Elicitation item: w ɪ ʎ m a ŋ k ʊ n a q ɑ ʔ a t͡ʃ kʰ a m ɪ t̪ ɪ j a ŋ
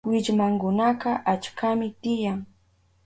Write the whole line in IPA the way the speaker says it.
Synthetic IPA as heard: w ɪ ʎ m a ŋ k ʊ n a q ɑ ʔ a t͡ʃ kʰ a m ɪ t̪ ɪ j a ŋ